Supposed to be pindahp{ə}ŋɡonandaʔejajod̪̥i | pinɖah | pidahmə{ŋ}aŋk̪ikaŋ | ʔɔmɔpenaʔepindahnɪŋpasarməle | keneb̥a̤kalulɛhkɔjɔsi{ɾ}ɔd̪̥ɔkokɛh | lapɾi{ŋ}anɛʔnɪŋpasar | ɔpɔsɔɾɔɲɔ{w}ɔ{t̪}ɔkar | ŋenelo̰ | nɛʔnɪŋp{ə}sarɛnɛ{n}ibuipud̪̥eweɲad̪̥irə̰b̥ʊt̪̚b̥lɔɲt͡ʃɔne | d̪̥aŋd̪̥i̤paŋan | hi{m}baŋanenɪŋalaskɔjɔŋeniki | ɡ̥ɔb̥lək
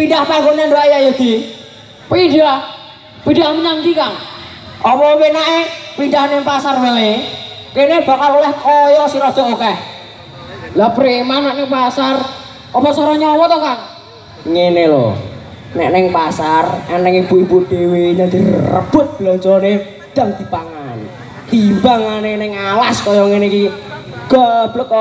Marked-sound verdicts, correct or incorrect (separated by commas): incorrect, incorrect, correct, incorrect, correct, correct, incorrect, incorrect, correct